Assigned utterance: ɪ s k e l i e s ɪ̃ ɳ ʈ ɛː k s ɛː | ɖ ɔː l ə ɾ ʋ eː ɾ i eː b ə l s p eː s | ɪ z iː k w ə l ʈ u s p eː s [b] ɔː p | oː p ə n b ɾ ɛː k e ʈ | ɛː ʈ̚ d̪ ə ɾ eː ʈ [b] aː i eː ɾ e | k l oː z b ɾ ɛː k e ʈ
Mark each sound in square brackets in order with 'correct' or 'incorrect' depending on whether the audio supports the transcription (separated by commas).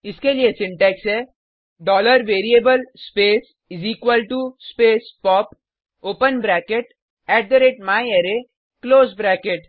incorrect, incorrect